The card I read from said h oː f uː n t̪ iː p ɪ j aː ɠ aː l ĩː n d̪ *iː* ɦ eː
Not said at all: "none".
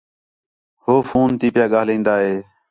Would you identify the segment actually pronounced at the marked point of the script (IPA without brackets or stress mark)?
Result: aː